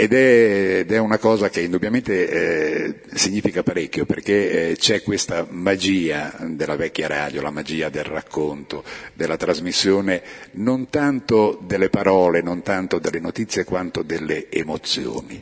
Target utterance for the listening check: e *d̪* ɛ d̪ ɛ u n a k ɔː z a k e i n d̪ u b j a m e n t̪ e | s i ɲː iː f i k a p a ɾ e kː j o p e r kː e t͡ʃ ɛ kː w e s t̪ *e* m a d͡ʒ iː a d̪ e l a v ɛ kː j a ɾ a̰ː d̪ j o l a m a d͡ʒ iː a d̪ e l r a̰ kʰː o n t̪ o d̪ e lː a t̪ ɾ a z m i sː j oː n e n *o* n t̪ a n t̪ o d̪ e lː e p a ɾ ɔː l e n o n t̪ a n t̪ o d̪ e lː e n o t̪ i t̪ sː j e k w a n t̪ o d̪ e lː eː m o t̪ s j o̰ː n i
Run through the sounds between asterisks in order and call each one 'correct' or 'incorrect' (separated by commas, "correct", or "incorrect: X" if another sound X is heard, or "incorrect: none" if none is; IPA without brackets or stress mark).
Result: correct, incorrect: a, correct